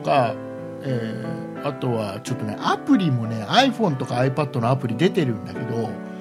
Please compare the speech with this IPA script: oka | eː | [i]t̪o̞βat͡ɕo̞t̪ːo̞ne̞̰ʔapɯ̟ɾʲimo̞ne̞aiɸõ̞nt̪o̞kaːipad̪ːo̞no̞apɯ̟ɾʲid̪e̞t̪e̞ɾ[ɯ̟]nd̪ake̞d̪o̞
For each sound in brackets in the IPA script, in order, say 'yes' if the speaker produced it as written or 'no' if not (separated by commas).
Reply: no, no